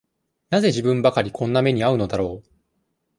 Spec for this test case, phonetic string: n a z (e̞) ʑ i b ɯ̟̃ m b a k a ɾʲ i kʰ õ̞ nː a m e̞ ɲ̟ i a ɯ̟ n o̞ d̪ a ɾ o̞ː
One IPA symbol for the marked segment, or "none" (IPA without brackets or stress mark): e̞